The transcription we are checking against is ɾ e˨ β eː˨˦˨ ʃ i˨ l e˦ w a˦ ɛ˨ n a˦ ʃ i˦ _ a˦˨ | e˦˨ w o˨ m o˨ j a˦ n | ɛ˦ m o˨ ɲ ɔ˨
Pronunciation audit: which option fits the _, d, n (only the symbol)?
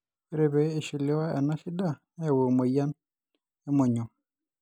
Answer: d